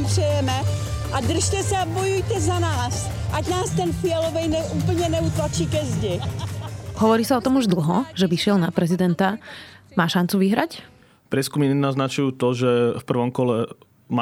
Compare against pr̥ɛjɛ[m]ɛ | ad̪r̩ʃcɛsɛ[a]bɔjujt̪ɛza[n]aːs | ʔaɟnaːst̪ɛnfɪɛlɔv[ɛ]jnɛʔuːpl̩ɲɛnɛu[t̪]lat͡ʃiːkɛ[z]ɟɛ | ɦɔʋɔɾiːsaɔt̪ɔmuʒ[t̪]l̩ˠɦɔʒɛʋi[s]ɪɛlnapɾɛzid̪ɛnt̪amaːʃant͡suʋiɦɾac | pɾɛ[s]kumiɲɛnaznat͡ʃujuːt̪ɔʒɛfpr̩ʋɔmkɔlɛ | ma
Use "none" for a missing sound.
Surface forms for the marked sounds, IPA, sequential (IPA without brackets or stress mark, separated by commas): m, a, n, ɛ, t̪, z, d̪, ʃ, s